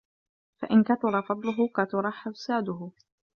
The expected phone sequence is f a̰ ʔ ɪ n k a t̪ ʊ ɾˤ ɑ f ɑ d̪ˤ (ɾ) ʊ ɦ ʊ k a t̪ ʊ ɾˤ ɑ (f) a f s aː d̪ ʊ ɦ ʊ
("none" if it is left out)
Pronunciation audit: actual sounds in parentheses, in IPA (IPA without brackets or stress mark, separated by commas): l, ħ